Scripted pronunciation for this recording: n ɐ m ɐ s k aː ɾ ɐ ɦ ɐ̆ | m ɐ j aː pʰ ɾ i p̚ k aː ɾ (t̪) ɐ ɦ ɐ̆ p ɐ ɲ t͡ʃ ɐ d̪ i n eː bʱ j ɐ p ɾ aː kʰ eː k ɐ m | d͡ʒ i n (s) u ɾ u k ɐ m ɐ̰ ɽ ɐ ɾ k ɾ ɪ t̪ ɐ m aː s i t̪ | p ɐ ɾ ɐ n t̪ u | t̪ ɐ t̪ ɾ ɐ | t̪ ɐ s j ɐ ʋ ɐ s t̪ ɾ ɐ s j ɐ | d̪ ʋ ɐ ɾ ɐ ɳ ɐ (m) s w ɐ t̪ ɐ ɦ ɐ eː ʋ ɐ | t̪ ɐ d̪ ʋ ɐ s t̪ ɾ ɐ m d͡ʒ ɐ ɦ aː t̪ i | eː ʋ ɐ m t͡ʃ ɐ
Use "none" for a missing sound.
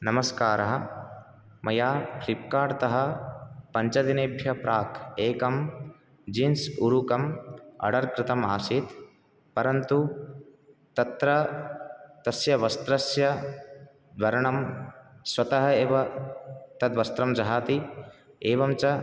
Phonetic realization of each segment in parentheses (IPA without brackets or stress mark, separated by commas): t̪, s, m